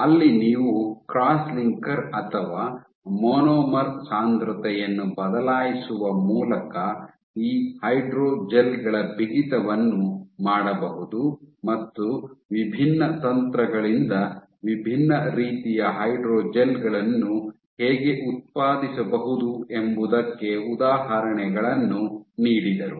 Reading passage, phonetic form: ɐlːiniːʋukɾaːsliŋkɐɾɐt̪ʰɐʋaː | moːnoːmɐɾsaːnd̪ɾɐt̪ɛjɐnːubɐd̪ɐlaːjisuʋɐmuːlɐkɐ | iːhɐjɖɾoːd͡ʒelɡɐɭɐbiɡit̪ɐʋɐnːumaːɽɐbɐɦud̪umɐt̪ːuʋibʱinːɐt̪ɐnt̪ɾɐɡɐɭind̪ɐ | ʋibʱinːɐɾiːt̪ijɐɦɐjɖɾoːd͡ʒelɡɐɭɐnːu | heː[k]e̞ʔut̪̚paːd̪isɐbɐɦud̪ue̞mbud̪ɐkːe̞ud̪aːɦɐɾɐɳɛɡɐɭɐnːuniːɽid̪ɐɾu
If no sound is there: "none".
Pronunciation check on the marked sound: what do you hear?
ɡ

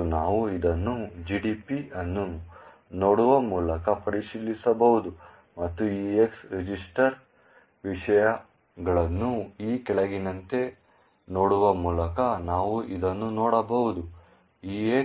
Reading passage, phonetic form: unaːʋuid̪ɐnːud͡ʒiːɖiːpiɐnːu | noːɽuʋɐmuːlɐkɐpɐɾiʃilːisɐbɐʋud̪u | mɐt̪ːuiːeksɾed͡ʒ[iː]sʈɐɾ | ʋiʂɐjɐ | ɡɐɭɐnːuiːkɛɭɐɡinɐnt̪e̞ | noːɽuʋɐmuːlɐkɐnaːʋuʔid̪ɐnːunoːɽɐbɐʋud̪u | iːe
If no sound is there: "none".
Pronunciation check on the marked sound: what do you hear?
i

